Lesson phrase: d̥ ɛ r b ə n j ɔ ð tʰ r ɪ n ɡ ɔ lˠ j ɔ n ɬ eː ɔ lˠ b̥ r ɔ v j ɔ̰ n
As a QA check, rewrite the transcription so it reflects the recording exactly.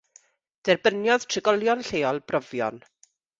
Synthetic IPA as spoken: d̥ ɛ r b ə n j ɔ ð tʰ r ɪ ɡ ɔ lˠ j ɔ n ɬ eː ɔ lˠ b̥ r ɔ v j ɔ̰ n